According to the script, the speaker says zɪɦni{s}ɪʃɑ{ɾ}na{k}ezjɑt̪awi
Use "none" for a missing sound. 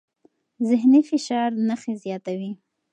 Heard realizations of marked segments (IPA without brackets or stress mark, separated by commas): f, ɾ, x